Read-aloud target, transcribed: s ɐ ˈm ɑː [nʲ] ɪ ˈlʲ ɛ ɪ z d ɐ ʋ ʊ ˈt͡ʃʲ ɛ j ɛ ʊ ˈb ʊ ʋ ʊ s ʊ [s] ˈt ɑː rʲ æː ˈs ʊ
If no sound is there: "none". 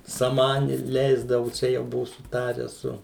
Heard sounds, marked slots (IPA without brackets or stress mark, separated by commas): nʲ, none